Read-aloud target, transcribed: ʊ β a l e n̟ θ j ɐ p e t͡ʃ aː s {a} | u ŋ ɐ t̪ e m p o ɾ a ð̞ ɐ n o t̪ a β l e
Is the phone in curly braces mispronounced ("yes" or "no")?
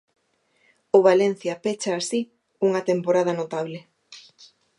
yes